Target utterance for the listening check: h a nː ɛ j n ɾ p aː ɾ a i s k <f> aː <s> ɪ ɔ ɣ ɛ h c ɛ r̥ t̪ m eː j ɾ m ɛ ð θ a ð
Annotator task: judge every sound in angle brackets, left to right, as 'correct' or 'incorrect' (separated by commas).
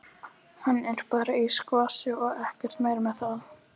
incorrect, correct